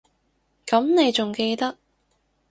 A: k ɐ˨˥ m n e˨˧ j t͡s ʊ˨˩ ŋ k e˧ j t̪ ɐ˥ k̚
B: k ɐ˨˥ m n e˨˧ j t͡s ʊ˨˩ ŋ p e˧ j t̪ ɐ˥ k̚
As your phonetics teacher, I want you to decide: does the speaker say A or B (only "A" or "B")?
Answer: A